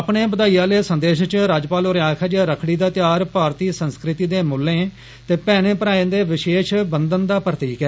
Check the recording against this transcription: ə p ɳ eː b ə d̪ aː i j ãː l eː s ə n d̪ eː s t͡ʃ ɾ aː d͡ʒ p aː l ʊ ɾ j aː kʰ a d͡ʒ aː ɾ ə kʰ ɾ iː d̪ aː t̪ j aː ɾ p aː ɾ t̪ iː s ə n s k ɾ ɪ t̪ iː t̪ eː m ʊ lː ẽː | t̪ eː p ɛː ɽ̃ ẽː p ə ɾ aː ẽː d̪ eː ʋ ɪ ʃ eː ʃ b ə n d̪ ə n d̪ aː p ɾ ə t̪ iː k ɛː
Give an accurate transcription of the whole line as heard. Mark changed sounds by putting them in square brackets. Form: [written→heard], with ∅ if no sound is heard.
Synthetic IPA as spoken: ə p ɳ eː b ə d̪ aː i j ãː l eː s ə n d̪ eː [s→ʃ] t͡ʃ ɾ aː d͡ʒ p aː l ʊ ɾ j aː kʰ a d͡ʒ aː ɾ ə kʰ [ɾ→ɽ] iː d̪ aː t̪ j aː ɾ p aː ɾ t̪ iː s ə n s k ɾ ɪ t̪ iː [t̪→d̪] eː m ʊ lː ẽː | t̪ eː p ɛː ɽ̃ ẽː p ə ɾ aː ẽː d̪ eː ʋ ɪ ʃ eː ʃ b ə n d̪ ə n d̪ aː p ɾ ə t̪ iː k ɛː